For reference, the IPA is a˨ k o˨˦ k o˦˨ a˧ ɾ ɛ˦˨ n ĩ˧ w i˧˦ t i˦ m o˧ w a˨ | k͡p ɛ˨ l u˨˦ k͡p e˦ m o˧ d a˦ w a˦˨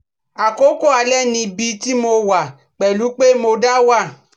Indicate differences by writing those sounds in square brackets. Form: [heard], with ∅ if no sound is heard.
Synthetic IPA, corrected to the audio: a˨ k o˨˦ k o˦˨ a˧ [l] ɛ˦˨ n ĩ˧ [b] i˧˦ t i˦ m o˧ w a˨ | k͡p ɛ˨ l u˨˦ k͡p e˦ m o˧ d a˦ w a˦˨